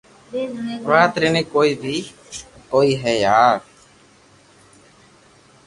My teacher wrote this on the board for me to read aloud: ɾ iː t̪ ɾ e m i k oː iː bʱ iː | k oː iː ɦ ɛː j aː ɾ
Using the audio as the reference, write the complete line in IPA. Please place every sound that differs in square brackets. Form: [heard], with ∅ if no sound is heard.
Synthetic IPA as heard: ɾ [aː] t̪ ɾ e [n] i k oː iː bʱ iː | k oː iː ɦ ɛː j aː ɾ